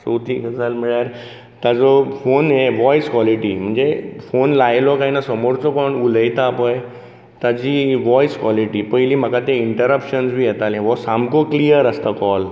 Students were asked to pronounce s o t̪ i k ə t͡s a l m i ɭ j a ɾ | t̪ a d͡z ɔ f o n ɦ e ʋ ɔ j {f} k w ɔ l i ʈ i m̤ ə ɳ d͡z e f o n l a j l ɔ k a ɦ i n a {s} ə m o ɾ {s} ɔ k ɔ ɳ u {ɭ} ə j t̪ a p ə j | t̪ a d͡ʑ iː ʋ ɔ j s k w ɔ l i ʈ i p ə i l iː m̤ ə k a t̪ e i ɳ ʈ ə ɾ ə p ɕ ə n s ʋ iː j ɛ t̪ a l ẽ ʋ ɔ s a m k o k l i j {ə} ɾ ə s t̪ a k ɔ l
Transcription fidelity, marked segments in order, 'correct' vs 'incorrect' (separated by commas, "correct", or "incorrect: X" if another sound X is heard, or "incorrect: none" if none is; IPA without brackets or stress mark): incorrect: s, correct, incorrect: t͡s, incorrect: l, correct